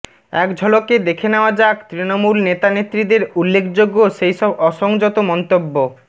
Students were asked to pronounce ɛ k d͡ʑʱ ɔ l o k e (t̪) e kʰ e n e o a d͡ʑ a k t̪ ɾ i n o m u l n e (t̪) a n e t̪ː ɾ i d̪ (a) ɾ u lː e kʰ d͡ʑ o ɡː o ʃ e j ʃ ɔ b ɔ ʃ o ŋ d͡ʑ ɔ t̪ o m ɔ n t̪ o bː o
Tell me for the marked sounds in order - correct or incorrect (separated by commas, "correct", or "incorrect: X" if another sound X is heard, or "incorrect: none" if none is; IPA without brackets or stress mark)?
incorrect: d̪, correct, incorrect: e